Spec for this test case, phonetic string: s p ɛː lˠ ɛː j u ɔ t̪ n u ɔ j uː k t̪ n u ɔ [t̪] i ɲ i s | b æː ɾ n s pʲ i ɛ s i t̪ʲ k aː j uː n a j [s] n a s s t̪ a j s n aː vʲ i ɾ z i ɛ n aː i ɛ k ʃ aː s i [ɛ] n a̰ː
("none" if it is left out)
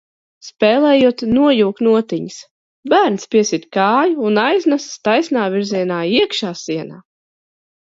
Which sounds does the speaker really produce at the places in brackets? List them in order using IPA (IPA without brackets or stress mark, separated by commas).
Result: t̪, z, ɛ